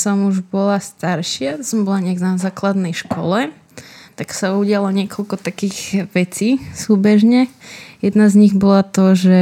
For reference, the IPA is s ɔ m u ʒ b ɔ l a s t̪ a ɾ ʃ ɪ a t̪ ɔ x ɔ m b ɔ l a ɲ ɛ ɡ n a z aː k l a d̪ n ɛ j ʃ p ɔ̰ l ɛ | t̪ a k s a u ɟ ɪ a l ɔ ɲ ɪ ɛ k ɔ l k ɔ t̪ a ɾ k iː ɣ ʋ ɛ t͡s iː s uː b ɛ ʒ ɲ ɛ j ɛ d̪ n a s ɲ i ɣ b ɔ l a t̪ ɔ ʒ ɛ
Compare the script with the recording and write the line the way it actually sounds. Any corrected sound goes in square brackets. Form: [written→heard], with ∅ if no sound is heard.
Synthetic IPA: s ɔ m u ʒ b ɔ l a s t̪ a ɾ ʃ ɪ a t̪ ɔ [x→s] ɔ m b ɔ l a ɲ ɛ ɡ n a z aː k l a d̪ n ɛ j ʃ [p→k] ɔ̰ l ɛ | t̪ a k s a u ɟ ɪ a l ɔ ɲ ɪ ɛ k ɔ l k ɔ t̪ a [ɾ→∅] k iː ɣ ʋ ɛ t͡s iː s uː b ɛ ʒ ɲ ɛ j ɛ d̪ n a [s→z] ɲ i ɣ b ɔ l a t̪ ɔ ʒ ɛ